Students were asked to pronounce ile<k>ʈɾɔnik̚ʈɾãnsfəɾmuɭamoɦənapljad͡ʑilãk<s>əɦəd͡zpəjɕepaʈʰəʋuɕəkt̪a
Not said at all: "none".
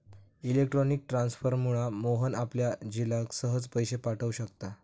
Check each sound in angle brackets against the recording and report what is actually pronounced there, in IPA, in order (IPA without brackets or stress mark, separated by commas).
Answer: k, s